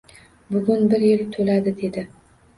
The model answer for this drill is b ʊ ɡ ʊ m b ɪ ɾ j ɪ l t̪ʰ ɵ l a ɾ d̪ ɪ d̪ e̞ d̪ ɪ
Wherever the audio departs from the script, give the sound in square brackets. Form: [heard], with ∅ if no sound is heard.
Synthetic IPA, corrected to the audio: b ʊ ɡ ʊ [n] b ɪ ɾ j ɪ l t̪ʰ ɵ l a [∅] d̪ ɪ d̪ e̞ d̪ ɪ